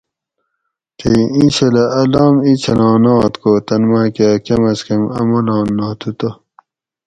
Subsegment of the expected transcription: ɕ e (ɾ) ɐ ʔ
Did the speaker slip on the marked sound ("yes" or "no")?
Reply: yes